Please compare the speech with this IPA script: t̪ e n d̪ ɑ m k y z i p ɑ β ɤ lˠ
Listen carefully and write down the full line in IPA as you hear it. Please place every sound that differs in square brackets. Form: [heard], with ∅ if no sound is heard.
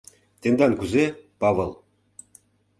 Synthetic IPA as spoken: t̪ e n d̪ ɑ [n] k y z [e] p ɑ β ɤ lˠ

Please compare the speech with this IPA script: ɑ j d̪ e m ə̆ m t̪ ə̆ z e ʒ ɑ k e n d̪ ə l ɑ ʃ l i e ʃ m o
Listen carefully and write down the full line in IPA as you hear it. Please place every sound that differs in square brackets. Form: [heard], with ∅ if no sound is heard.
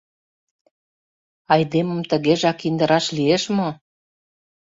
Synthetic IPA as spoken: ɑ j d̪ e m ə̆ m t̪ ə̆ [ɣ] e ʒ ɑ k [i] n d̪ ə [ɾ] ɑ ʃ l i e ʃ m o

